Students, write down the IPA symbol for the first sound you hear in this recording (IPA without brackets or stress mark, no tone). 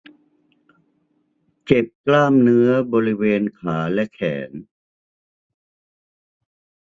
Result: t͡ɕ